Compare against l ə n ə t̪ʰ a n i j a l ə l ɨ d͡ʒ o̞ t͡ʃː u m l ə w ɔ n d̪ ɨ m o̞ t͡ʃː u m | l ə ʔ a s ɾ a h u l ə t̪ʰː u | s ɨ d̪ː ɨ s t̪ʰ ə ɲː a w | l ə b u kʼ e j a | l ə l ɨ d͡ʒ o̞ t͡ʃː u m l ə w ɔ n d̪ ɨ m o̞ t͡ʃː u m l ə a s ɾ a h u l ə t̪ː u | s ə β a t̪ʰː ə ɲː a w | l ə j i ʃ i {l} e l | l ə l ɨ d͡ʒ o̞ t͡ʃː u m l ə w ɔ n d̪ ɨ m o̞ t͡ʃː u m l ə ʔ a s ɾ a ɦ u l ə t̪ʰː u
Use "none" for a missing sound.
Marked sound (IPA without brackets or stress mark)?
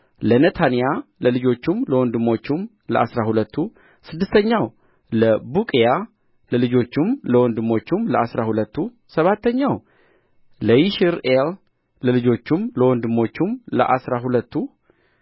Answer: ɾ